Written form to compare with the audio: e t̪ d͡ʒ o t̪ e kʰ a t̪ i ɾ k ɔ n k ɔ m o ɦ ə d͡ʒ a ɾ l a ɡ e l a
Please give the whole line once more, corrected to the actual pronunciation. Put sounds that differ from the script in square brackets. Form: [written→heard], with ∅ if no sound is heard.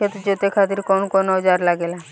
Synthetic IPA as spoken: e t̪ d͡ʒ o t̪ e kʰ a t̪ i ɾ k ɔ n k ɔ [m→n] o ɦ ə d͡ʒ a ɾ l a ɡ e l a